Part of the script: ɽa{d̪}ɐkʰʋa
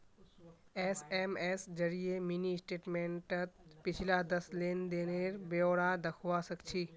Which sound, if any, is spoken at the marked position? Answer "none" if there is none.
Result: d̪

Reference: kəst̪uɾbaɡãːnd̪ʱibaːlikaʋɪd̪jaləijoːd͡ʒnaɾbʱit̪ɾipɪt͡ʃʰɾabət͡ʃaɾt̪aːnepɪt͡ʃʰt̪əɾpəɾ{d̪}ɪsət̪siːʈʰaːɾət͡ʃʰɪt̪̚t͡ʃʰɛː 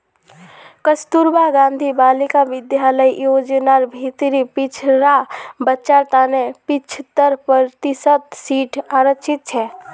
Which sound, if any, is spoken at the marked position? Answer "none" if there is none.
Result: t̪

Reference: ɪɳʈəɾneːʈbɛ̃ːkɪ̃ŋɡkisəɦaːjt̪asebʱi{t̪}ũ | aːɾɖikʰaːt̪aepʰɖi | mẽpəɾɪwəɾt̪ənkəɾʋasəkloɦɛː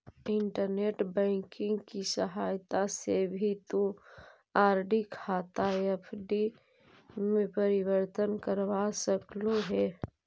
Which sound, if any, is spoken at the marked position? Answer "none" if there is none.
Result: t̪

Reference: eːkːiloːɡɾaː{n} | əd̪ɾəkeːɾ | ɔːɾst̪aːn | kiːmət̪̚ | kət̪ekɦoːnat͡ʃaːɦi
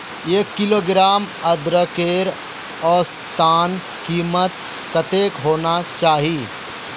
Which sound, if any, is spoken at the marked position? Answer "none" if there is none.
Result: m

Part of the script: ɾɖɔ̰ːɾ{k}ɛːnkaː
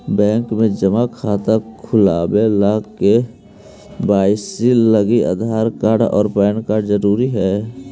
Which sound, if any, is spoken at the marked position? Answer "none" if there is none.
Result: p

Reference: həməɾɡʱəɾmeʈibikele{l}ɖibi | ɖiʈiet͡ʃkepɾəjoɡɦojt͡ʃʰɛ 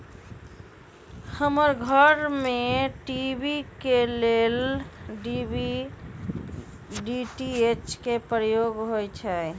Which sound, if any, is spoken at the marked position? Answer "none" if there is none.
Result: l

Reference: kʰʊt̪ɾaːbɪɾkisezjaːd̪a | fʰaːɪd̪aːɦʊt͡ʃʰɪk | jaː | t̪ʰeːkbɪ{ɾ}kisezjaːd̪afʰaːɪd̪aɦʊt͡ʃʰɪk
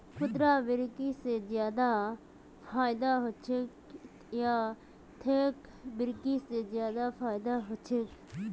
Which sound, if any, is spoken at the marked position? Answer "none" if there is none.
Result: ɾ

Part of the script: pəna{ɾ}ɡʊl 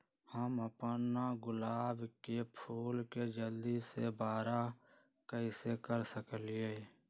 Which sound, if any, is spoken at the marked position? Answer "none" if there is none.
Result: none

